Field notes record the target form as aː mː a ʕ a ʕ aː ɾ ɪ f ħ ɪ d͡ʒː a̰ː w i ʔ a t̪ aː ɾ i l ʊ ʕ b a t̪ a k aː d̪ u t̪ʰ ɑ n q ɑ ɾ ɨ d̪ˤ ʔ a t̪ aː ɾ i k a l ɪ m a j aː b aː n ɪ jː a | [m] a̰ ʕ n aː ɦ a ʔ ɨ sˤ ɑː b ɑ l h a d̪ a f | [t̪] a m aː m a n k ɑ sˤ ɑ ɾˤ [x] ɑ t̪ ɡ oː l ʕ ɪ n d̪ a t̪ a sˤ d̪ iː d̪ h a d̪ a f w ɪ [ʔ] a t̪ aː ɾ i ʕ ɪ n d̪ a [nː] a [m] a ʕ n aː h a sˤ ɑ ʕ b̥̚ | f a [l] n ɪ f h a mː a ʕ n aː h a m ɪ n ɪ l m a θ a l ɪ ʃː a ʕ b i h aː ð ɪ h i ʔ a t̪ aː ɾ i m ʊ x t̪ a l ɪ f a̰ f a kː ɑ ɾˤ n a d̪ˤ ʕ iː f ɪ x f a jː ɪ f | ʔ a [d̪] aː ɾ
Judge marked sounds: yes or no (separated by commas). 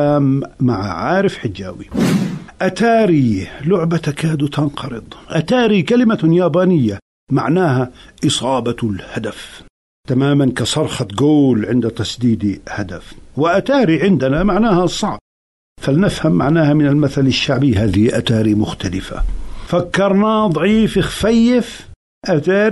yes, yes, yes, yes, no, yes, yes, no